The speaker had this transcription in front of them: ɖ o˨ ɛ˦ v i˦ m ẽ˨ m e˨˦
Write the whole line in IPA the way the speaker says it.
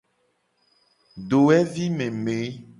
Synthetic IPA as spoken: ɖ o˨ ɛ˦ v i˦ m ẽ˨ m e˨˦